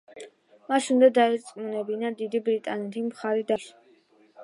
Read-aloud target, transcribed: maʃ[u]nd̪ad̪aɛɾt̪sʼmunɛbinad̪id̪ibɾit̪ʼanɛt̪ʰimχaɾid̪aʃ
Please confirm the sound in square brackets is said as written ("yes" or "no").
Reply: yes